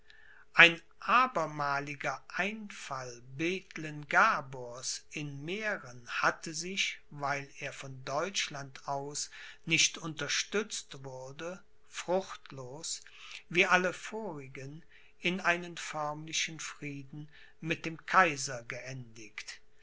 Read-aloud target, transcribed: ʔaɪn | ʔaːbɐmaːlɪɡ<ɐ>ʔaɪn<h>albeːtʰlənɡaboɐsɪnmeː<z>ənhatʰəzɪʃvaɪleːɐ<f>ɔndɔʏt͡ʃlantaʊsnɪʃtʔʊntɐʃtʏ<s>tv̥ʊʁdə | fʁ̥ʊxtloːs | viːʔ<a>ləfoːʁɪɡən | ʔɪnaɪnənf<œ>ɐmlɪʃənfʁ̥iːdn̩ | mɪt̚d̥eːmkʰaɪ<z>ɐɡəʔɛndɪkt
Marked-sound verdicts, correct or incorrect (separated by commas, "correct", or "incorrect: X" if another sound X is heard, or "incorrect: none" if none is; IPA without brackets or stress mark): correct, incorrect: f, incorrect: ʁ, correct, incorrect: t͡s, correct, correct, correct